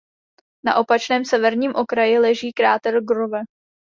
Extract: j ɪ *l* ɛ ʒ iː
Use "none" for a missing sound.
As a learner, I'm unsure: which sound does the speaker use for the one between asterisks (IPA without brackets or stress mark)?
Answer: l